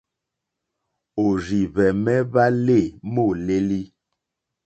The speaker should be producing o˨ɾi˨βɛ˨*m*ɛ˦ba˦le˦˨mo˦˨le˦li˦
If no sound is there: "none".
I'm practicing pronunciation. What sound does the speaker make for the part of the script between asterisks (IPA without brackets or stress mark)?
m